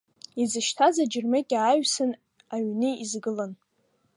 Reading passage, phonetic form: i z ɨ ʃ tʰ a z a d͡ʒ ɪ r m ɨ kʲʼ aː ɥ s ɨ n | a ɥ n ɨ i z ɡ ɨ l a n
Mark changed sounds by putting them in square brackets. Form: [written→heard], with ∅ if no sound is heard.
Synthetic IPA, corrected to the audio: i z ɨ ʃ tʰ a z a d͡ʒ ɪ r m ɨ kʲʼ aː ɥ s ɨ n | a ɥ n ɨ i z ɡ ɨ l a n